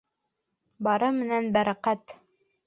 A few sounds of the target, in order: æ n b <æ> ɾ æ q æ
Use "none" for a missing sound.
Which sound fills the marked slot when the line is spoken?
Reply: æ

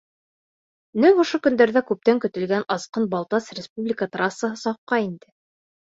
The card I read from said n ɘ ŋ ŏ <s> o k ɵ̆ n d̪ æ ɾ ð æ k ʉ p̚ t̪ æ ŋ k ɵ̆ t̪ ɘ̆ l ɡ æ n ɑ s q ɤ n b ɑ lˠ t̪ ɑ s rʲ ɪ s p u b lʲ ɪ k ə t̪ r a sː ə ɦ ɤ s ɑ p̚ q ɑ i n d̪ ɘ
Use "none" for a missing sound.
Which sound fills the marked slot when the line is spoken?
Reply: ʃ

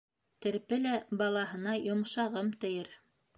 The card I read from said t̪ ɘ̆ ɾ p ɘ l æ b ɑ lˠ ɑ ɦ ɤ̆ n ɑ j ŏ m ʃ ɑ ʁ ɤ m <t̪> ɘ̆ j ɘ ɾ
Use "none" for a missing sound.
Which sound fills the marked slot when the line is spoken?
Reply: t̪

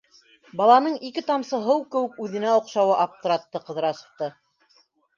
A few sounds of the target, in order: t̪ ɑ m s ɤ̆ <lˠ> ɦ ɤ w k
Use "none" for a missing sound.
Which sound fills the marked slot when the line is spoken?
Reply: none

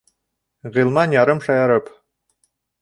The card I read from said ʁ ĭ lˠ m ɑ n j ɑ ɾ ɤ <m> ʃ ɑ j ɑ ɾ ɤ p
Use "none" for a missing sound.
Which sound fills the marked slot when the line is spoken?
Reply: m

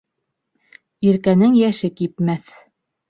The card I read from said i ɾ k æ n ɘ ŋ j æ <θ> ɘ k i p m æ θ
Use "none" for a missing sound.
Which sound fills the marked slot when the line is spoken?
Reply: ʃ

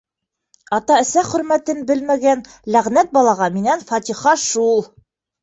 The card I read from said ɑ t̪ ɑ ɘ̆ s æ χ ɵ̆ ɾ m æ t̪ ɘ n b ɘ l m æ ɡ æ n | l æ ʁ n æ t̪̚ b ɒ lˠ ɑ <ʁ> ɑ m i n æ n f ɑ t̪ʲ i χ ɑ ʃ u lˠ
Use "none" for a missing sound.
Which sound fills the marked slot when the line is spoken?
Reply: ʁ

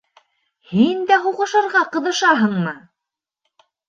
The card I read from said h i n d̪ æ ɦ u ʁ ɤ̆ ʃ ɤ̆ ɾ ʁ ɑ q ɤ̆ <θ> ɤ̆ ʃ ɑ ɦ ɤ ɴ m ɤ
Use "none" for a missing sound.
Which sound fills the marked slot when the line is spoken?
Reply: ð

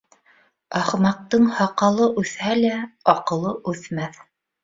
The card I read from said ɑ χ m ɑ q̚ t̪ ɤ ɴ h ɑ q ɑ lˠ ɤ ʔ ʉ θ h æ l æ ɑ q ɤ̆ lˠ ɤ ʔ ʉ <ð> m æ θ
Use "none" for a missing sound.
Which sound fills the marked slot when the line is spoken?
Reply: θ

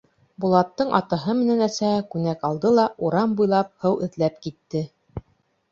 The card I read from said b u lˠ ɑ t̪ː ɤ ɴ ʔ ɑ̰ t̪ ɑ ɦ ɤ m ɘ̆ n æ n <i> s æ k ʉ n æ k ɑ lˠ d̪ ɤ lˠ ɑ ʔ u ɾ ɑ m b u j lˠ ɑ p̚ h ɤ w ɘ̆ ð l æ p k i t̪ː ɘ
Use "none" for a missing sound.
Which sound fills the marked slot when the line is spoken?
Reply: æ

